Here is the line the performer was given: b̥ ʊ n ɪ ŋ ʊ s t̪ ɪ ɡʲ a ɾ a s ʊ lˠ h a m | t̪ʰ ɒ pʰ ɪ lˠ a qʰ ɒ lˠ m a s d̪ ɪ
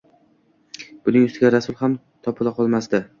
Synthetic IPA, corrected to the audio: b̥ ʊ n ɪ ŋ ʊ s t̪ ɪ ɡʲ a ɾ a s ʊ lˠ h a m | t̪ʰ ɒ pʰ ɪ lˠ a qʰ ɒ lˠ m a s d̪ ɪ